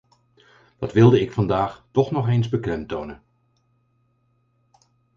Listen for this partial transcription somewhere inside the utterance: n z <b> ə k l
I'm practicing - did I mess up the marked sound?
no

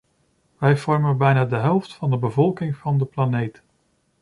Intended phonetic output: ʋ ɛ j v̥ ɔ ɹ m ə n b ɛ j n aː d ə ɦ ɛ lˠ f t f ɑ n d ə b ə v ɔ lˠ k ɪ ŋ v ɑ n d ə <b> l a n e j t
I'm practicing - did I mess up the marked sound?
yes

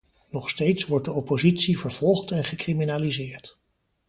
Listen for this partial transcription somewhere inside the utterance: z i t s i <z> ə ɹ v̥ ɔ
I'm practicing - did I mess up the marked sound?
yes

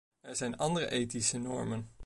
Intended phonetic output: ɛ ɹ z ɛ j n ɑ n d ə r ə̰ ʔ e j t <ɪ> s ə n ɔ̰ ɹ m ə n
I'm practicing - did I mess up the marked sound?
yes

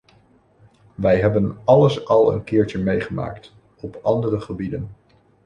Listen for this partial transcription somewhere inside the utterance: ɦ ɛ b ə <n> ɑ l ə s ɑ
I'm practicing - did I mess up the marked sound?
no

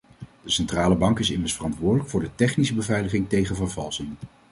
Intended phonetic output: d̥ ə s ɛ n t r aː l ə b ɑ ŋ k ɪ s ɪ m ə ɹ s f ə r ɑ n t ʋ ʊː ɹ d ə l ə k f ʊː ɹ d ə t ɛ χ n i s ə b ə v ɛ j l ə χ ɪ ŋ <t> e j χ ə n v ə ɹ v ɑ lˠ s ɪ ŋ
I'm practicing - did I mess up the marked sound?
no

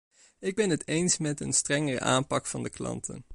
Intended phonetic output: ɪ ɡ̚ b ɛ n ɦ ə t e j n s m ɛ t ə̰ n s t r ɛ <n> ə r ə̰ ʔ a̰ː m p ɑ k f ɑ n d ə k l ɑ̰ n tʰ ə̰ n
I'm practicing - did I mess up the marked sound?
yes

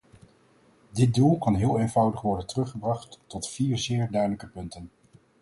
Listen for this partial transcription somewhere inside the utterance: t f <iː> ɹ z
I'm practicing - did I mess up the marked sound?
no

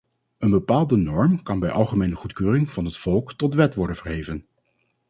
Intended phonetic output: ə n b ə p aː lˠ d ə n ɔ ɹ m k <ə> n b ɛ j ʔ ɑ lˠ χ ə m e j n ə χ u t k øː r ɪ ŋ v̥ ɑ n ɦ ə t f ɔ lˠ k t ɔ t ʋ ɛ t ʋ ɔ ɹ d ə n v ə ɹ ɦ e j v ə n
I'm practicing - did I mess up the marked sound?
yes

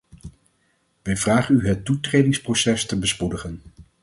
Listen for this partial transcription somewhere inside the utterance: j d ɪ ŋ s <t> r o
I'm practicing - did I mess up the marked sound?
yes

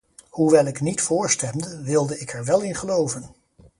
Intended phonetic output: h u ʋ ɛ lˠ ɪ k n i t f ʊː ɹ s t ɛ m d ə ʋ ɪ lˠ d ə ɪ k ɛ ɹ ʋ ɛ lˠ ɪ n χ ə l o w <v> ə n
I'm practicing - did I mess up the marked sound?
no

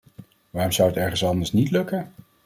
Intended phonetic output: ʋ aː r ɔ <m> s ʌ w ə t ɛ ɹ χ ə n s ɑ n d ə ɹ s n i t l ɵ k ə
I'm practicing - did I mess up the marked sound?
no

